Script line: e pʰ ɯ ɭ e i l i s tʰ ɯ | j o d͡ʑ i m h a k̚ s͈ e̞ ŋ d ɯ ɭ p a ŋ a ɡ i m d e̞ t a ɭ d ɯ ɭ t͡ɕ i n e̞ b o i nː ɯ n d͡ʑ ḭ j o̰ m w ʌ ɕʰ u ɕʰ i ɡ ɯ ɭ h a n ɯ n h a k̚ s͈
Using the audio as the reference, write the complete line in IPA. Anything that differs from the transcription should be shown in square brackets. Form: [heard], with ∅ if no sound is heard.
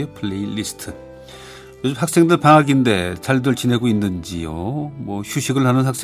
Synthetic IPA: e pʰ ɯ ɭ e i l i s tʰ ɯ | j o d͡ʑ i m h a k̚ s͈ e̞ ŋ d ɯ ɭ p a ŋ a ɡ i [n] d e̞ [t͡ɕ] a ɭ d ɯ ɭ t͡ɕ i n e̞ [ɡ] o i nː ɯ n d͡ʑ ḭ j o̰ m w ʌ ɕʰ u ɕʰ i ɡ ɯ ɭ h a n ɯ n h a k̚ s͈